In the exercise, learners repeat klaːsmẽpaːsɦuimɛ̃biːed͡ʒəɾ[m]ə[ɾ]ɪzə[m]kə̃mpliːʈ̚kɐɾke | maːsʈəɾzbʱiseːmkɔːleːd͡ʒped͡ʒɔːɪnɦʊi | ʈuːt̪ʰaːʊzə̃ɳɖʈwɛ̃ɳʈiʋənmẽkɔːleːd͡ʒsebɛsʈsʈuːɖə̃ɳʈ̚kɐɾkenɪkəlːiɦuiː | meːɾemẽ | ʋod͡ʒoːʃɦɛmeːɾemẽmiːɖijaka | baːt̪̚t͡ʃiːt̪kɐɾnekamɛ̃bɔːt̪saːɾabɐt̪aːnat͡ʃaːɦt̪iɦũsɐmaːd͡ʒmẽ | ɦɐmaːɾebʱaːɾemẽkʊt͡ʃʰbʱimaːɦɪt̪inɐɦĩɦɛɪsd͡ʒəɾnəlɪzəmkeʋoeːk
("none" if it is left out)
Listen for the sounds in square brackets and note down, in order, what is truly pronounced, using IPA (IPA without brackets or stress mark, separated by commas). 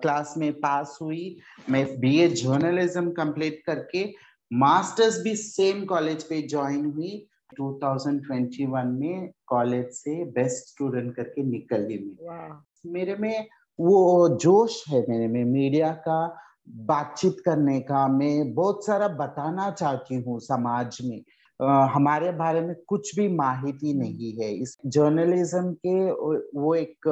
n, l, m